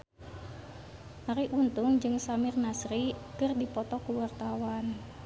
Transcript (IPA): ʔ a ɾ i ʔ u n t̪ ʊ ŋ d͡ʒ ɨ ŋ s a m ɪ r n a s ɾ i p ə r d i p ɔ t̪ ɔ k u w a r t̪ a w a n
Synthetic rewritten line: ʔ a ɾ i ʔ u n t̪ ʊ ŋ d͡ʒ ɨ ŋ s a m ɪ r n a s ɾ i k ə r d i p ɔ t̪ ɔ k u w a r t̪ a w a n